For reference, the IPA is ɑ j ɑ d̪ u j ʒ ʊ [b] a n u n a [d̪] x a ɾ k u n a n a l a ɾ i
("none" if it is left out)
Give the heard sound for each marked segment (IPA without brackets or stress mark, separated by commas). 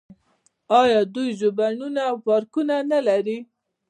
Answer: b, none